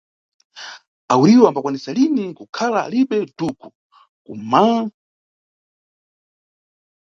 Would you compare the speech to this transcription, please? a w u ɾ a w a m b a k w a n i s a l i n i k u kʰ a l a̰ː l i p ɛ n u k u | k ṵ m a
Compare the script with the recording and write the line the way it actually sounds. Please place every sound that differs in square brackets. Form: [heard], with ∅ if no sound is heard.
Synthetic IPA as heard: a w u ɾ [i] w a m b a k w a n i s a l i n i k u kʰ a l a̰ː l i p ɛ [d] u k u | k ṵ m a